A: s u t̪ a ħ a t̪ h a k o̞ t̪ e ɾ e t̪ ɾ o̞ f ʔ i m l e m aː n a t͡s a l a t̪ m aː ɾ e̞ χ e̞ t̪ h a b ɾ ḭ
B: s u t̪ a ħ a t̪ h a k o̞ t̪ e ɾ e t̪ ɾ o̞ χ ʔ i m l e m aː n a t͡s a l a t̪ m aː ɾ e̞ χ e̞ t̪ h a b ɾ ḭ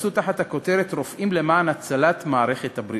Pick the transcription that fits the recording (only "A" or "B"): A